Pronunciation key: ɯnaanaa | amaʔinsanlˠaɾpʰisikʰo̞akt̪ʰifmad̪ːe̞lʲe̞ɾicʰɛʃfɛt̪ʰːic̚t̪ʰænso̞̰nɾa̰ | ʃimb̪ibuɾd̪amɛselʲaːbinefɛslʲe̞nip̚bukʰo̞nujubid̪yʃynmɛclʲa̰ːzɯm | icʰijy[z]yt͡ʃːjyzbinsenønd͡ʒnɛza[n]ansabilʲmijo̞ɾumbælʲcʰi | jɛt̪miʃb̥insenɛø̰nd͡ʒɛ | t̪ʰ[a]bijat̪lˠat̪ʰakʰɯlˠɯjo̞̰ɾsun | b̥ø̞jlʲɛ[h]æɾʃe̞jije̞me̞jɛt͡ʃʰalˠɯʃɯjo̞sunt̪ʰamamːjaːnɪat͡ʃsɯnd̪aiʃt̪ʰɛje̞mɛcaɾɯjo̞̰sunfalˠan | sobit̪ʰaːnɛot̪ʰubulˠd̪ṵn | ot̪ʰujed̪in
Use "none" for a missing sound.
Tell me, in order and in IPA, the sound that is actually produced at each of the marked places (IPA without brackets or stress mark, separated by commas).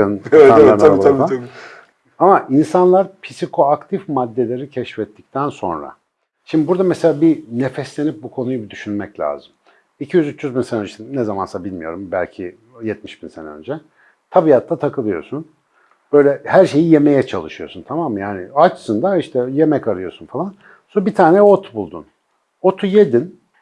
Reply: z, m, a, h